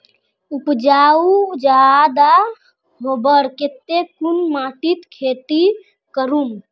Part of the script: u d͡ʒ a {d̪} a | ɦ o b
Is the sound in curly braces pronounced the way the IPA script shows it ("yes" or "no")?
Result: yes